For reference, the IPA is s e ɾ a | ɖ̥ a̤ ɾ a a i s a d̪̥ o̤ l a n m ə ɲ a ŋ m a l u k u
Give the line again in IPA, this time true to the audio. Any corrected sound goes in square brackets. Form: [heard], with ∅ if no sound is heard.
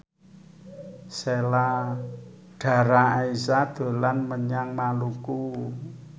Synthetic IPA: s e [l] a | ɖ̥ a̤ ɾ a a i s a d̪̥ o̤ l a n m ə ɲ a ŋ m a l u k u